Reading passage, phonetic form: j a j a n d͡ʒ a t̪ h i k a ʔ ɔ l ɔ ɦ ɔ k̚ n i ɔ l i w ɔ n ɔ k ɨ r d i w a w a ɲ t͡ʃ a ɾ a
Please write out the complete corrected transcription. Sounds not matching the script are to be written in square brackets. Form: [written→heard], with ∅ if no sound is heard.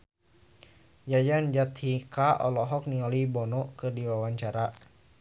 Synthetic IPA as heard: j a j a n d͡ʒ a t̪ h i k a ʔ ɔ l ɔ ɦ ɔ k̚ n i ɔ l i [w→b] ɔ n ɔ k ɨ r d i w a w a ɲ t͡ʃ a ɾ a